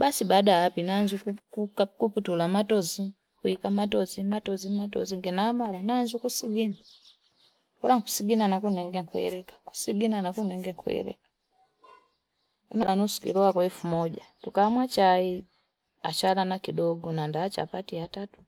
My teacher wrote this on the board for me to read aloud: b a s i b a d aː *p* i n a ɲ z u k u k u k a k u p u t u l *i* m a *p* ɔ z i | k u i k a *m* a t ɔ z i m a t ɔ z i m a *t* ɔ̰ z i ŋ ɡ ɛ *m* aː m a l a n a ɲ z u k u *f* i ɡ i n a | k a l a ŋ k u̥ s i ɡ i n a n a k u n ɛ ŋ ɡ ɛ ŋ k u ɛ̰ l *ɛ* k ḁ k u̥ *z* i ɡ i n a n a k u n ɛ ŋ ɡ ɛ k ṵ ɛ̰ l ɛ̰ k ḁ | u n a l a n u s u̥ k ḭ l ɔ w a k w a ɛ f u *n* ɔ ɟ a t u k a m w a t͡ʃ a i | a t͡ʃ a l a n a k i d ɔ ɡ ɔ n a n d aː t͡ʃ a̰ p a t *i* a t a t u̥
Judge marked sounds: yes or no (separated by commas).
yes, no, no, yes, yes, no, no, yes, no, no, yes